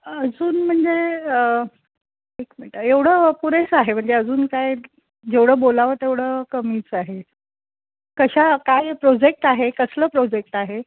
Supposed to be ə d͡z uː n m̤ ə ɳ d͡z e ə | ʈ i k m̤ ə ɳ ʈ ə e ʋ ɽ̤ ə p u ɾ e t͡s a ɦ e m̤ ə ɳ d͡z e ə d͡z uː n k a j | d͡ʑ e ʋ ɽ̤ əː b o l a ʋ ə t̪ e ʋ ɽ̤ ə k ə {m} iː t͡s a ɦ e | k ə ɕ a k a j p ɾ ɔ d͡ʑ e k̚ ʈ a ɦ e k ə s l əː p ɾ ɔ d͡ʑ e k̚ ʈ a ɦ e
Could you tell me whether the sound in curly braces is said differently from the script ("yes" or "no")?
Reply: no